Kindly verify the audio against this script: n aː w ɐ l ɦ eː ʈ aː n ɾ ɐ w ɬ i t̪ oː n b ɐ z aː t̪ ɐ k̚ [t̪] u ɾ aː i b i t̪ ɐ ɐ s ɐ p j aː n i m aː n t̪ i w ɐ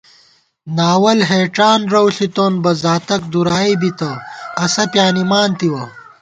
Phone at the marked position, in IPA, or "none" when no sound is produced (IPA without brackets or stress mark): d̪